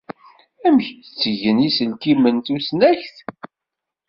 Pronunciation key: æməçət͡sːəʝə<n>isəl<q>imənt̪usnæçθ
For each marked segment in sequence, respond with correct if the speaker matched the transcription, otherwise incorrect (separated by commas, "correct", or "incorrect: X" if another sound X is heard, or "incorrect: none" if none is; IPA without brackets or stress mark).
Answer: correct, incorrect: k